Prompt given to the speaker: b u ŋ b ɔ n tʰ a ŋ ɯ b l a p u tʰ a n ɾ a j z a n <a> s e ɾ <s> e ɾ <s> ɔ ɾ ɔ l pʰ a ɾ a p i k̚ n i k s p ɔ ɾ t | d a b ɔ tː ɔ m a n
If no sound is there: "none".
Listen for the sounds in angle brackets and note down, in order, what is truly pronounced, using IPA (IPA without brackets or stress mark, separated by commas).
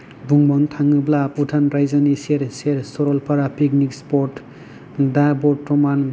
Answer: i, s, s